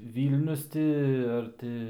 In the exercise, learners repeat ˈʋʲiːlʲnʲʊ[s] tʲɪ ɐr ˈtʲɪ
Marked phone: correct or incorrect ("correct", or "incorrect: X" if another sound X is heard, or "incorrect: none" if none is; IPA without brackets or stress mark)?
correct